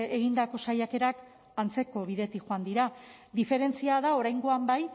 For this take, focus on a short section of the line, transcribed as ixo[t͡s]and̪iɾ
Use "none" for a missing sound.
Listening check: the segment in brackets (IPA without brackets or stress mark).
none